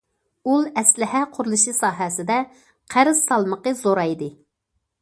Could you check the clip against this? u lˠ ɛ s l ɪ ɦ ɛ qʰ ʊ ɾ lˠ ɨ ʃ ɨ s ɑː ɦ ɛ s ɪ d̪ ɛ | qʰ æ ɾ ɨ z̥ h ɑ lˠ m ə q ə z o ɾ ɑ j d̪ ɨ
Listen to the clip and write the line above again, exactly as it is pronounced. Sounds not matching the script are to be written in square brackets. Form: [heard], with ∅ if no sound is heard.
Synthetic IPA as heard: u lˠ ɛ s l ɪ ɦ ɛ qʰ ʊ ɾ lˠ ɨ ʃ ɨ s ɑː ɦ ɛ s ɪ d̪ ɛ | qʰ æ ɾ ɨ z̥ [s] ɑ lˠ m ə q ə z o ɾ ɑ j d̪ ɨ

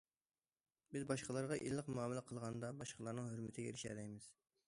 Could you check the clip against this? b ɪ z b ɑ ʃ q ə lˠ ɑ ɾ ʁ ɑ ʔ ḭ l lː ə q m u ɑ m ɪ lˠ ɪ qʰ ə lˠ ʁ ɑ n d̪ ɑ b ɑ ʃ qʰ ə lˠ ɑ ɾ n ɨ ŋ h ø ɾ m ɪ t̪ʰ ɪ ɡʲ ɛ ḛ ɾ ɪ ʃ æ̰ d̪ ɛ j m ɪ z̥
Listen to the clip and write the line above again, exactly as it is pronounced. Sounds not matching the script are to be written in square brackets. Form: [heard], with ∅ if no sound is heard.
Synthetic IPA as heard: b ɪ z b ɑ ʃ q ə lˠ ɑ ɾ ʁ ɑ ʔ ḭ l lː ə q m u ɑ m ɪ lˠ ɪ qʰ ə lˠ ʁ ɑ n d̪ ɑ b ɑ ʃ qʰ ə lˠ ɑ ɾ n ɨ ŋ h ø ɾ m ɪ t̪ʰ ɪ ɡʲ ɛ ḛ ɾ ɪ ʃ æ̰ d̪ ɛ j m ɪ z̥

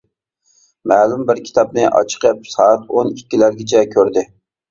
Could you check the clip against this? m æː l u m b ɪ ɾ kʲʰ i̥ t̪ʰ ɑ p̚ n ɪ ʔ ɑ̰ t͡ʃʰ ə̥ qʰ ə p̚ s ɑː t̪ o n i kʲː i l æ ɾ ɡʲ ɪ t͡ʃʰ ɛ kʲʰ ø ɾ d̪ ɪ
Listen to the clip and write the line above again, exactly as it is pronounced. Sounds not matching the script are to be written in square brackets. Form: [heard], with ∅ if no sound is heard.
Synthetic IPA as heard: m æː l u m b ɪ ɾ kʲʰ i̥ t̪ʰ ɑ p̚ n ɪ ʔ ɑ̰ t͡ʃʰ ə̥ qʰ ə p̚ s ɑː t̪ o n i kʲː i l æ ɾ ɡʲ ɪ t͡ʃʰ ɛ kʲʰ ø ɾ d̪ ɪ

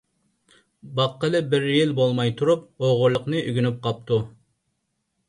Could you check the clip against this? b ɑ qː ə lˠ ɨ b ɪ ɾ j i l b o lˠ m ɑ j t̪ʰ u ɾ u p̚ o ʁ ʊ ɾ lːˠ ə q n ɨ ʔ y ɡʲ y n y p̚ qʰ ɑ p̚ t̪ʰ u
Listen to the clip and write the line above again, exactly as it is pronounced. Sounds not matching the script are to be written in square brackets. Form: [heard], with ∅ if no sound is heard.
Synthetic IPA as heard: b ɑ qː ə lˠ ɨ b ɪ ɾ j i l b o lˠ m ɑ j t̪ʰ u ɾ u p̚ o ʁ ʊ ɾ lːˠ ə q n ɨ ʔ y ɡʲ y n y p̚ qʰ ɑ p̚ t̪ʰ u

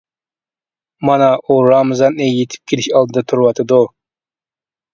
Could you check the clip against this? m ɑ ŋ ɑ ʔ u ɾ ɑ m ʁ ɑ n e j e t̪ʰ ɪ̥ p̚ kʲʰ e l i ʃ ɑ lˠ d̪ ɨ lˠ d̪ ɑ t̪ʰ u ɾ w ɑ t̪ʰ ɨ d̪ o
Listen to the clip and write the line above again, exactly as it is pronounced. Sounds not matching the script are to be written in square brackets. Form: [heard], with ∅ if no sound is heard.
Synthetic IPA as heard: m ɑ [n] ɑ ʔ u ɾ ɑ m [z] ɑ n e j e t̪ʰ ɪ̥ p̚ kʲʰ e l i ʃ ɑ lˠ d̪ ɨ [∅] d̪ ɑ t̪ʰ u ɾ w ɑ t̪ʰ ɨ d̪ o

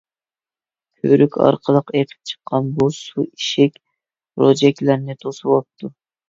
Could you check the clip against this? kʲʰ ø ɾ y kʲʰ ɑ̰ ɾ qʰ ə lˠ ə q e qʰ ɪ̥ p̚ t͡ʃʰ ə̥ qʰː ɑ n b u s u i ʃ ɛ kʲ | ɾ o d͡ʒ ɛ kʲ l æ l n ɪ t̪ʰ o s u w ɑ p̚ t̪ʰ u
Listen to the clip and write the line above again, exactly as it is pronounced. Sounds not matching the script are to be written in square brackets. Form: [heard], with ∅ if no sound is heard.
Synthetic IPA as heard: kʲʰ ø ɾ y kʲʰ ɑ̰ ɾ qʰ ə lˠ ə q e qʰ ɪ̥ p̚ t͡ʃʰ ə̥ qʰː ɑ n b u s u i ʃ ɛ kʲ | ɾ o d͡ʒ ɛ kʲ l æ [ɾ] n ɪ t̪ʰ o s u w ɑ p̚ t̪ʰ u

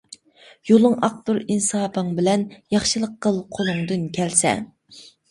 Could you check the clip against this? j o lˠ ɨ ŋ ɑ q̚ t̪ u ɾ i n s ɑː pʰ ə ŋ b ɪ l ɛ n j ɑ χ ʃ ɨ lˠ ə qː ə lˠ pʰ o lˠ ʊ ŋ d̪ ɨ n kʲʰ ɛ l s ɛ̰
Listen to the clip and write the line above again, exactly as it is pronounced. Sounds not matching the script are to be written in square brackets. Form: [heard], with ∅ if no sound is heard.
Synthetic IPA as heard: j o lˠ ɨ ŋ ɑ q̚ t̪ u ɾ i n s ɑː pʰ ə ŋ b ɪ l ɛ n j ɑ χ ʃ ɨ lˠ ə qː ə lˠ [qʰ] o lˠ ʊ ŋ d̪ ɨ n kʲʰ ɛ l s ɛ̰

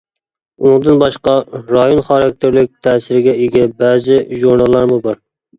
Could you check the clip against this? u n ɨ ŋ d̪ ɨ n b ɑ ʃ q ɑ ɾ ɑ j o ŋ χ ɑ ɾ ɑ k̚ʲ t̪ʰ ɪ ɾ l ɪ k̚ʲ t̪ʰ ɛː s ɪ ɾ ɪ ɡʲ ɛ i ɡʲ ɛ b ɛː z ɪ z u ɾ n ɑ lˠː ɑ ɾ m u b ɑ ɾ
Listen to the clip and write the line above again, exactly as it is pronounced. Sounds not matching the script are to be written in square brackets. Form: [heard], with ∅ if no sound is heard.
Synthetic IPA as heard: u n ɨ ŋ d̪ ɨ n b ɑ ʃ q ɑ ɾ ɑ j o [n] χ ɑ ɾ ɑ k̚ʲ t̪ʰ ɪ ɾ l ɪ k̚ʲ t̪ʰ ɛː s ɪ ɾ ɪ ɡʲ ɛ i ɡʲ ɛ b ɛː z ɪ [ʒ] u ɾ n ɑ lˠː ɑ ɾ m u b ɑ ɾ

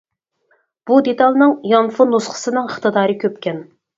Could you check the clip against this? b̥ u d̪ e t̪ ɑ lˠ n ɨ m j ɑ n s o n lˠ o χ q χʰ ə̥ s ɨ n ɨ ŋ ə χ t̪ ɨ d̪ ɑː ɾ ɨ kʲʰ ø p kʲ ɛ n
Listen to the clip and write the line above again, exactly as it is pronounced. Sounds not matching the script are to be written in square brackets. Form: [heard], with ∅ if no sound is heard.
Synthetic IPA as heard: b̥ u d̪ e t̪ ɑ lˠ n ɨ [ŋ] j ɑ n [f] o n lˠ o [s] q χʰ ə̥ s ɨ n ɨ ŋ ə χ t̪ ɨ d̪ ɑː ɾ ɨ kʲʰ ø p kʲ ɛ n

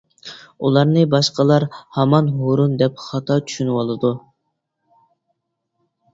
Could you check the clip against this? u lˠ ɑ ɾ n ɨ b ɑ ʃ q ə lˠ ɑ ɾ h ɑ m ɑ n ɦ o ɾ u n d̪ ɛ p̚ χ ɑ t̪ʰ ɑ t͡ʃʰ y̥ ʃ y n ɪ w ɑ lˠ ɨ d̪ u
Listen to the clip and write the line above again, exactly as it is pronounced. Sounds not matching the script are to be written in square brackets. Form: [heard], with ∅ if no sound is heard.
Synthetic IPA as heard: u lˠ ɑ ɾ n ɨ b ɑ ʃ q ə lˠ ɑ ɾ h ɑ m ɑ n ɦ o ɾ u n d̪ ɛ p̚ χ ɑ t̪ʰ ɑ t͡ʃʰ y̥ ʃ y n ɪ w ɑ lˠ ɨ d̪ u

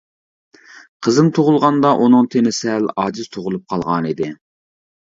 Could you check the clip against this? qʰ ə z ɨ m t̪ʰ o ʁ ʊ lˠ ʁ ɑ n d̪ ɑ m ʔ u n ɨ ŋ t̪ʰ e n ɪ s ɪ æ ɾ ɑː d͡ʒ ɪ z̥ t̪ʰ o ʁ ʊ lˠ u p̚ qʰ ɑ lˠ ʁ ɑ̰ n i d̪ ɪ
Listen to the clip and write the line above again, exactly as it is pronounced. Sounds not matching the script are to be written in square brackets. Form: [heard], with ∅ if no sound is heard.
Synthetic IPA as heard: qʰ ə z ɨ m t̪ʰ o ʁ ʊ lˠ ʁ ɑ n d̪ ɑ [∅] ʔ u n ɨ ŋ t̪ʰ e n ɪ s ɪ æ [l] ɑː d͡ʒ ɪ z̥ t̪ʰ o ʁ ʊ lˠ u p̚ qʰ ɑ lˠ ʁ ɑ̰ n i d̪ ɪ

